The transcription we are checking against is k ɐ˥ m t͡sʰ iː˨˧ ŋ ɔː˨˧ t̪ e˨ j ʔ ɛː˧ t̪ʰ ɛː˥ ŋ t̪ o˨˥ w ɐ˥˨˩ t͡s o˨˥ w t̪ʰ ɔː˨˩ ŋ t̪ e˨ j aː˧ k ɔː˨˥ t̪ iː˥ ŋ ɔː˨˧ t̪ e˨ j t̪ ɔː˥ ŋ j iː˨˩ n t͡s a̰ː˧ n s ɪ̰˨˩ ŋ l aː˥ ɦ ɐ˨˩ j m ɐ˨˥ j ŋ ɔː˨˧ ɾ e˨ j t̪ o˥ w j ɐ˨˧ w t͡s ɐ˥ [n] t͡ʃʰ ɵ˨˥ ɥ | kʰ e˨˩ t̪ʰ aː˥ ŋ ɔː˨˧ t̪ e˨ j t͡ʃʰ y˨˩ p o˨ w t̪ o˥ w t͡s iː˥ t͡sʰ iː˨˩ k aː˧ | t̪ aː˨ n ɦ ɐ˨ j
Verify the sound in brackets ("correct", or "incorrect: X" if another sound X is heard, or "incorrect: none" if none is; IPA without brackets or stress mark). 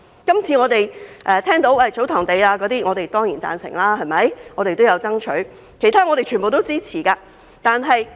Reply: incorrect: ŋ